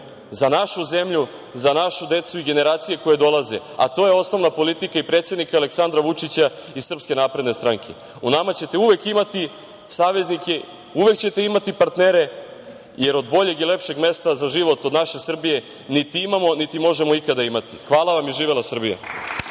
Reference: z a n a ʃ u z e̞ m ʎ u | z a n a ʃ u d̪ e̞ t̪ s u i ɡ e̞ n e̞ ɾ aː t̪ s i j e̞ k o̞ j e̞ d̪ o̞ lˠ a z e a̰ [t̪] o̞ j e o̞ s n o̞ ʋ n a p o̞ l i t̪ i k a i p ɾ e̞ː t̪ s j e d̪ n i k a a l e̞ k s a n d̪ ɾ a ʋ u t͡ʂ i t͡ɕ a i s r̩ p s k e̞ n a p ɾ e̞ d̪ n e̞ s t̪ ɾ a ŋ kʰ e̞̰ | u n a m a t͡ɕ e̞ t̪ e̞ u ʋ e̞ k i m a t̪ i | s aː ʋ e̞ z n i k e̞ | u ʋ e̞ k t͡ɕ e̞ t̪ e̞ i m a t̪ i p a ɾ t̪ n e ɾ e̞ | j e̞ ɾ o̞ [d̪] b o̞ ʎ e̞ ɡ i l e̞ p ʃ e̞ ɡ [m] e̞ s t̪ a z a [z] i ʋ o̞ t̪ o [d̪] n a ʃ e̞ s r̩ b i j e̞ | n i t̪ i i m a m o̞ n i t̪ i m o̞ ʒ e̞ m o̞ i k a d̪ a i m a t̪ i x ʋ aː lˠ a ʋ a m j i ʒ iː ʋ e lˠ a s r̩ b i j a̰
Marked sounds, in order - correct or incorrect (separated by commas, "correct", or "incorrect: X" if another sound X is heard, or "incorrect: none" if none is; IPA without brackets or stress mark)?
correct, correct, correct, incorrect: ʒ, correct